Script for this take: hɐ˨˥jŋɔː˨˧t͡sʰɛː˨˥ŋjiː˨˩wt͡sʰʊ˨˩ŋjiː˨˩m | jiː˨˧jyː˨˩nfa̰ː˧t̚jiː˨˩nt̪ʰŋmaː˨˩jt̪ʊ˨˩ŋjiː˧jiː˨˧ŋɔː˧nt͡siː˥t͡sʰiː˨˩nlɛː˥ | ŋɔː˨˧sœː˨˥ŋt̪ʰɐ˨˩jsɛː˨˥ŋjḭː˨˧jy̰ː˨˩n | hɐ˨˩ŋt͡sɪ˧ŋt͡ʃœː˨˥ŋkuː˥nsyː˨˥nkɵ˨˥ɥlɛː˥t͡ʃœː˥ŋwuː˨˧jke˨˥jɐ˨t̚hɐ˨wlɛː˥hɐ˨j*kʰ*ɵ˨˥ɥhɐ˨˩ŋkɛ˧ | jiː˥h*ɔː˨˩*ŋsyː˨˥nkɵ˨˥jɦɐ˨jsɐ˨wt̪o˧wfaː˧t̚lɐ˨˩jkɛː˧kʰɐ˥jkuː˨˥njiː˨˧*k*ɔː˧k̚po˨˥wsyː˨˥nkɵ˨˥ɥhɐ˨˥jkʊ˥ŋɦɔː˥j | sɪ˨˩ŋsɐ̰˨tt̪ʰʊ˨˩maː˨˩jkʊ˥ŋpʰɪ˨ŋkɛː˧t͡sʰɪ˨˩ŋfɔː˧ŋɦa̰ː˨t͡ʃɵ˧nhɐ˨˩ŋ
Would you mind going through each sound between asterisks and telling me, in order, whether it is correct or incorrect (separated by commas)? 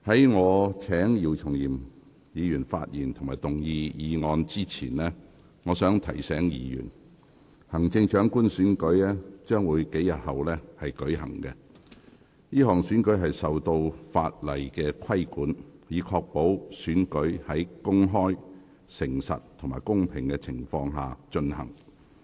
incorrect, correct, incorrect